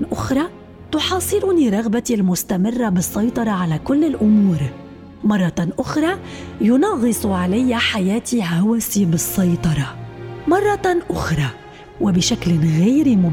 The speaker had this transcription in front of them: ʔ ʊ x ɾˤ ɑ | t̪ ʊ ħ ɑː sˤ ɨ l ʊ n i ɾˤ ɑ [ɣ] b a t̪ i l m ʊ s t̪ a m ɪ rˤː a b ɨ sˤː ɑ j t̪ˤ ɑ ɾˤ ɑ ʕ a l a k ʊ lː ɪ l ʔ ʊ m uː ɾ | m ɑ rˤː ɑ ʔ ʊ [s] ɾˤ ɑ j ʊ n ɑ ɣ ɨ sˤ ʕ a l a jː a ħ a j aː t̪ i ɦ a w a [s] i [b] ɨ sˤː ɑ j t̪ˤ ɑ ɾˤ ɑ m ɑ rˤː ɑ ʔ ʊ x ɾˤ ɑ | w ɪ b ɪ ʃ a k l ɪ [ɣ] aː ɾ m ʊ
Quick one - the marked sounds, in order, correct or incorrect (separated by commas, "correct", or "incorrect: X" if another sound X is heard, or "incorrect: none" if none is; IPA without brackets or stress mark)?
correct, incorrect: x, correct, correct, correct